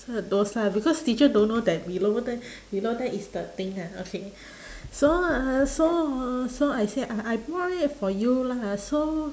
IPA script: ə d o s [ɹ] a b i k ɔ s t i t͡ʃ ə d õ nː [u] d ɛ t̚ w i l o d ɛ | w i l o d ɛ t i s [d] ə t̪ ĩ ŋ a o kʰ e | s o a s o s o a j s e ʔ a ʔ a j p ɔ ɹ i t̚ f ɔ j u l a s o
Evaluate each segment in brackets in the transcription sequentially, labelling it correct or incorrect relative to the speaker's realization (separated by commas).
incorrect, incorrect, correct